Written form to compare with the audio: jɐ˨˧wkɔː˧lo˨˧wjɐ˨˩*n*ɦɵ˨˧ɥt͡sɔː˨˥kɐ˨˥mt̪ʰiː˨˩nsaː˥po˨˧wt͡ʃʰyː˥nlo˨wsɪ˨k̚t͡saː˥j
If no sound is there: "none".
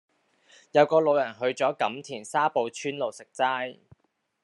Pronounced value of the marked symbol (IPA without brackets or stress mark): n